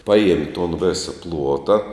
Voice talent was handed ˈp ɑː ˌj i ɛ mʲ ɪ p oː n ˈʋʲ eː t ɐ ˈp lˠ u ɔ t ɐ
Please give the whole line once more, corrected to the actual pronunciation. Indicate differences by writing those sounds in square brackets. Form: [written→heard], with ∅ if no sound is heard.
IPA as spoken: ˈp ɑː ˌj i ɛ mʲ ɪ [p→t] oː n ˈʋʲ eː [t→s] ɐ ˈp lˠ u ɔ t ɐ